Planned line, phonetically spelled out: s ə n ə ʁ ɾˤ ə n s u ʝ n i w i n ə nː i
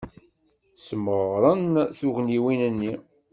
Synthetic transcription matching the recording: s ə m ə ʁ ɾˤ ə n θ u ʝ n i w i n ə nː i

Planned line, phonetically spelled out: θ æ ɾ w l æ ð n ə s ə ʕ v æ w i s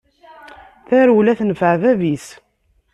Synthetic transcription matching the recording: θ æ ɾ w l æ θ n ə f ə ʕ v æ v i s

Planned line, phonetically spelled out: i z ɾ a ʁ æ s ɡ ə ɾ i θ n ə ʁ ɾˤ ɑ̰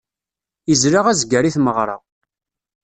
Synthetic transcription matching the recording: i z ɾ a ʁ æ z ɡ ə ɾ i θ m ə ʁ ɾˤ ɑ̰

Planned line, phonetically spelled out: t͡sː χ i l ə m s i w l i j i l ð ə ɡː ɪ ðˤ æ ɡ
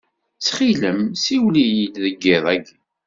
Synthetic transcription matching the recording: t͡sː χ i l ə m s i w l i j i l ð ə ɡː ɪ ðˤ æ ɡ

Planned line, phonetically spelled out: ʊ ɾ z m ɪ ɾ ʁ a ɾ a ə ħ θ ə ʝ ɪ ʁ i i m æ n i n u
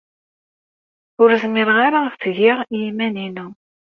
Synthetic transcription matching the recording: ʊ ɾ z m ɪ ɾ ʁ a ɾ a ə f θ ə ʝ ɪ ʁ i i m æ n i n u

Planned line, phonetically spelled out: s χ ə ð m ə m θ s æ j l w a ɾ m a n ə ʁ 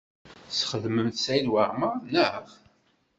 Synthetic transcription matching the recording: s χ ə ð m ə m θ s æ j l w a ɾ m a n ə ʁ

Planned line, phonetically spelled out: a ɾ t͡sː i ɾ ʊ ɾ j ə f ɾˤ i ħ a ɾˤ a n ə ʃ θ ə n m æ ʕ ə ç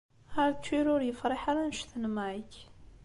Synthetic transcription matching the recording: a ɾ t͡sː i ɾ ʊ ɾ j ə f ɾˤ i ħ a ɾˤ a n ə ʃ θ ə n m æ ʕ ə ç

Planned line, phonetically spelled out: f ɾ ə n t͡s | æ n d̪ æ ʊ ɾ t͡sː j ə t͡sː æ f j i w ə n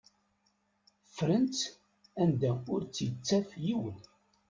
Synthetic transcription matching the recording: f ɾ ə n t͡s | æ n d̪ æ ʊ ɾ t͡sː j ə t͡sː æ f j i w ə n

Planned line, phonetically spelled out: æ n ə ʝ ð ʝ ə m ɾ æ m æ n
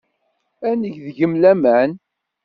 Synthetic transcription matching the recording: æ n ə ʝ ð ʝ ə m l æ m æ n

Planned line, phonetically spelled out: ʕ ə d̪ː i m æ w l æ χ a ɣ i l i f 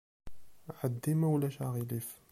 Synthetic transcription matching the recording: ʕ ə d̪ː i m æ w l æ ʃ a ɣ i l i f

